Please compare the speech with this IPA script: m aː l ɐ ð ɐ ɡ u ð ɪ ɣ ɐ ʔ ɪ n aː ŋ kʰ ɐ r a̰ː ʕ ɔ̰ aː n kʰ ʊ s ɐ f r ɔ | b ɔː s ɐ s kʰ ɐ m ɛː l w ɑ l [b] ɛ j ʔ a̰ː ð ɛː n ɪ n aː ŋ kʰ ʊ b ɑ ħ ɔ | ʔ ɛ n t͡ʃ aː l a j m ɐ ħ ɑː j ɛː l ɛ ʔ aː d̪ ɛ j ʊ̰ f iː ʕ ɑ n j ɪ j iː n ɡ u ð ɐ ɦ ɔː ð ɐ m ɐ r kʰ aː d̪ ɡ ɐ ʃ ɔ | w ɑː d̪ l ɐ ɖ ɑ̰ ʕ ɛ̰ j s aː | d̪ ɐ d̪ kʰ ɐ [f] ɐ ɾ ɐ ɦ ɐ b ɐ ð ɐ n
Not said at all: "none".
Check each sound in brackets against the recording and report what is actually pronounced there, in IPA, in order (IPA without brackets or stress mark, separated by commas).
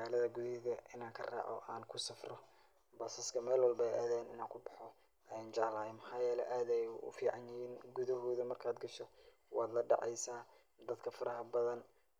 b, f